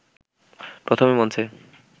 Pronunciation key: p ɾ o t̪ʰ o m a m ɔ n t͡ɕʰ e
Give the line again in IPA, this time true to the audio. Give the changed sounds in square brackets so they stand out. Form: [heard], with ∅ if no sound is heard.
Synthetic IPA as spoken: p ɾ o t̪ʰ o m [e] m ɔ n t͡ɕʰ e